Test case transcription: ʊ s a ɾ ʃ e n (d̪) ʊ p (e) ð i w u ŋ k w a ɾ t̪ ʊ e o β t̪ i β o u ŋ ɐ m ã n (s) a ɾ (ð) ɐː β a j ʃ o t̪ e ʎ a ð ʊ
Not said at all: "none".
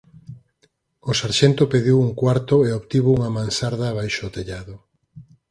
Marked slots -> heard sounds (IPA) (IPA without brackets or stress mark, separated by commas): t̪, e, s, ð